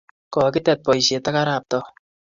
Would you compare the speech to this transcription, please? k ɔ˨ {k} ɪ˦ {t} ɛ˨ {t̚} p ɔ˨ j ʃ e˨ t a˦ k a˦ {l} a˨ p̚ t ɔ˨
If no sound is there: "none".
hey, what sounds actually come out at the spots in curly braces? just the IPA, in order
k, t, t̚, ɾ

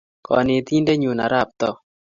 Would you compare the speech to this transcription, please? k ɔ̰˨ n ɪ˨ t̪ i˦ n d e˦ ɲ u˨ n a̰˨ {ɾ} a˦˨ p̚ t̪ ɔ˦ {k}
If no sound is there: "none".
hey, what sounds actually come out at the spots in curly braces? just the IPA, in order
ɾ, none

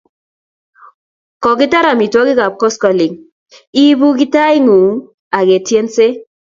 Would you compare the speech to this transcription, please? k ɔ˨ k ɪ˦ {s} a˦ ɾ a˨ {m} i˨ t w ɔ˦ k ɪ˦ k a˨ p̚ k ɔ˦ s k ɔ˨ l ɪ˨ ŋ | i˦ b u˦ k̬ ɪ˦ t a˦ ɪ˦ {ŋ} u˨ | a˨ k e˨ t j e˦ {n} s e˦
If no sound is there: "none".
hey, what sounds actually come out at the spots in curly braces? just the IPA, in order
t, m, ŋ, n

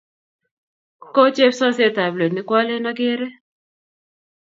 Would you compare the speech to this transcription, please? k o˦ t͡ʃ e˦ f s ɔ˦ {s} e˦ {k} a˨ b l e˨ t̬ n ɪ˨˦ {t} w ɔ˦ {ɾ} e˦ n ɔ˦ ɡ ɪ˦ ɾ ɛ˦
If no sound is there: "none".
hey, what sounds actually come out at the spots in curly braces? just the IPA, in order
s, t, k, l

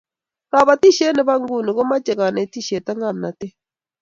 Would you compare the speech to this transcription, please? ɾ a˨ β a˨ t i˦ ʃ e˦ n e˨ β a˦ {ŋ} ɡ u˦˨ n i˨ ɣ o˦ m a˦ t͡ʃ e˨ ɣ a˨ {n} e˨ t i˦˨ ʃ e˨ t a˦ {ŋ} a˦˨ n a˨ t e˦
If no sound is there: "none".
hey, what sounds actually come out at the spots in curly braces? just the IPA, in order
ŋ, n, ŋ

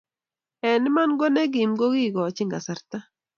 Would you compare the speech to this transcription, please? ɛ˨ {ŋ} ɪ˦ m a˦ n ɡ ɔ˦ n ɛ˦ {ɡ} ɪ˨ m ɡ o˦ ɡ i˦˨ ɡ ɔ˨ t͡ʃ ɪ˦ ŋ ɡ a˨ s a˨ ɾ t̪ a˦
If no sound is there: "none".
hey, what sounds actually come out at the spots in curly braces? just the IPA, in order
n, ɡ

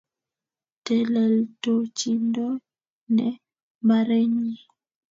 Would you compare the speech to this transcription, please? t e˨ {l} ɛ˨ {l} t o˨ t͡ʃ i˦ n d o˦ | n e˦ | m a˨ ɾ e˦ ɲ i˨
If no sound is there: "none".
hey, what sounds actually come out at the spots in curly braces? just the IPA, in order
l, l

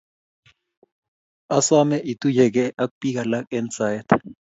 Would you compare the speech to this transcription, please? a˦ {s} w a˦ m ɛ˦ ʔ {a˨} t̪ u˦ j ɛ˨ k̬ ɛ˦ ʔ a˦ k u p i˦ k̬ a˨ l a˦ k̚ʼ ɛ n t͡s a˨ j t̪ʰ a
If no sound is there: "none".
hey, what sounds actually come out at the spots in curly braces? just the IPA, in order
s, i˨

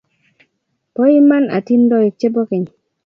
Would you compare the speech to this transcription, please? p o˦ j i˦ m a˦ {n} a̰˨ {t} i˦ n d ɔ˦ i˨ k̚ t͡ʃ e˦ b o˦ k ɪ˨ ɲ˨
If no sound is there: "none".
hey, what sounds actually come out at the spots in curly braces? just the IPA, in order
n, t

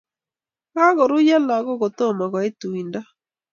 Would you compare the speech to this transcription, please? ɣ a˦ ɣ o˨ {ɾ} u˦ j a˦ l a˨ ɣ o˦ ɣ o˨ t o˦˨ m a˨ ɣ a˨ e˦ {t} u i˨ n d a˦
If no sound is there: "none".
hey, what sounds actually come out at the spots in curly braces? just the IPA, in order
ɾ, t

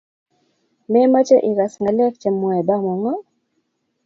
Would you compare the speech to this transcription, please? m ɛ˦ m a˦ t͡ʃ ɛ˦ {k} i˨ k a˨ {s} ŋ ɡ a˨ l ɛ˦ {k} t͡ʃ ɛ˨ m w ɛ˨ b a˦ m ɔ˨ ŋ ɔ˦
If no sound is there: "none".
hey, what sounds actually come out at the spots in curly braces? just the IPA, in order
ʔ, s, k

